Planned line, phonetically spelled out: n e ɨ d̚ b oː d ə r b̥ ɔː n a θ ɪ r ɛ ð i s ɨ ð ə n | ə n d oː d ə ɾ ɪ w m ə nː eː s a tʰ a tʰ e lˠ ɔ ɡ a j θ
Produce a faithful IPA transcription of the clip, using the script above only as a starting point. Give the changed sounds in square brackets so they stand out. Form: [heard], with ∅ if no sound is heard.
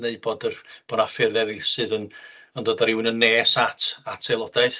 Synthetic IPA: n e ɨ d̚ b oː d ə r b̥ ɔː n a [f] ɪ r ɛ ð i s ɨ ð ə n | ə n d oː d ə ɾ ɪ w [n] ə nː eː s a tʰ a tʰ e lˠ ɔ [d] a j θ